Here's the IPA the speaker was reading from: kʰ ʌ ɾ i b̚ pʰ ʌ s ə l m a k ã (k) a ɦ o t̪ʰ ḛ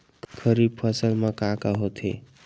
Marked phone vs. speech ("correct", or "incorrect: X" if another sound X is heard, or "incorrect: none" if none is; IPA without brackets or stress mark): correct